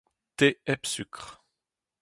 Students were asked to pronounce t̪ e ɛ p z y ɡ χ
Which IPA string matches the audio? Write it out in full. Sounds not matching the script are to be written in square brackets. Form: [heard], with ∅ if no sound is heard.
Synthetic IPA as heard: t̪ e ɛ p [s] y [k] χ